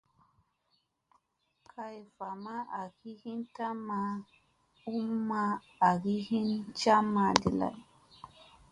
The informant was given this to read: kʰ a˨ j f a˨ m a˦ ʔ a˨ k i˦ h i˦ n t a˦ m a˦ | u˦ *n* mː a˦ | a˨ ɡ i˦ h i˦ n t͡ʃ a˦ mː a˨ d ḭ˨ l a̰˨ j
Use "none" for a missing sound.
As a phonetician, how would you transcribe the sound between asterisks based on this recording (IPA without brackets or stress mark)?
none